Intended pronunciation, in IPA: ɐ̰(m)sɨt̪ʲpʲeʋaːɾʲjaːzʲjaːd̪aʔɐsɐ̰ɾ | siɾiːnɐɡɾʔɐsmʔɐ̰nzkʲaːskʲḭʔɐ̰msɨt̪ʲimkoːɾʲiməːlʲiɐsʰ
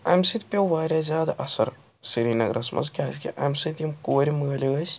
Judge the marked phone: correct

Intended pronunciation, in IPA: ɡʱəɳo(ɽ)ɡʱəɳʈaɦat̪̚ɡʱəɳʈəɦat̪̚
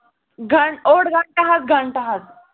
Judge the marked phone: correct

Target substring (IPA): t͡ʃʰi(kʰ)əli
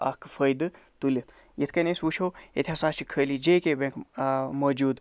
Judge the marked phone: correct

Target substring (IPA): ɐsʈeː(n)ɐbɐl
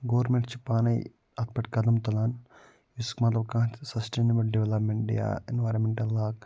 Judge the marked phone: correct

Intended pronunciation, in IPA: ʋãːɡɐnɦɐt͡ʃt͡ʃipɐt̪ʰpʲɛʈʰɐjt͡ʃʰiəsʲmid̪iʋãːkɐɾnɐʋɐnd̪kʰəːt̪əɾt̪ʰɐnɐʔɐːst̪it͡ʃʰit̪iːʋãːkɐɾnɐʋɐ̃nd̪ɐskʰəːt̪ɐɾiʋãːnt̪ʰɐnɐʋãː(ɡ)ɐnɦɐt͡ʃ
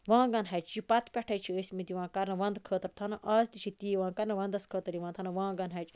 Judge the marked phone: correct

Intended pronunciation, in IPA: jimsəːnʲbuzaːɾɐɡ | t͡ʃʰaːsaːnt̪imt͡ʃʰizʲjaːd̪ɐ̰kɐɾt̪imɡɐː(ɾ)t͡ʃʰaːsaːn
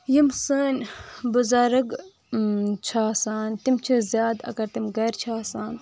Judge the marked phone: correct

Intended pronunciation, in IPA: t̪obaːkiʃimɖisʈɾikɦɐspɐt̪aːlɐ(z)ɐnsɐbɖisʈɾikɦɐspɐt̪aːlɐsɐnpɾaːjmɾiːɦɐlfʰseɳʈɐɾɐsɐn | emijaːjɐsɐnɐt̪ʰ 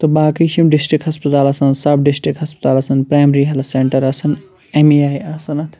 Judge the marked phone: incorrect: s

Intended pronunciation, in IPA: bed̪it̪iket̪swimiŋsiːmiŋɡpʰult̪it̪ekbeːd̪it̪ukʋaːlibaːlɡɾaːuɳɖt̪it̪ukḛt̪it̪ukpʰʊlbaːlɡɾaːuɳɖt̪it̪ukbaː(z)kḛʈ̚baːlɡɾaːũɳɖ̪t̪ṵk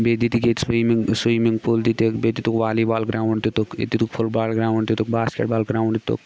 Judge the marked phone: incorrect: s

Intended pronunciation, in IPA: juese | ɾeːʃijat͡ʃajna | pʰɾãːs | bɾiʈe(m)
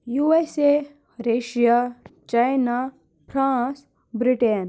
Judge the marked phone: incorrect: n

